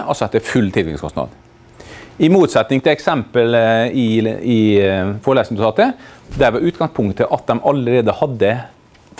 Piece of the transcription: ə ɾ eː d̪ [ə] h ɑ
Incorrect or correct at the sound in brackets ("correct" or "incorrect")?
correct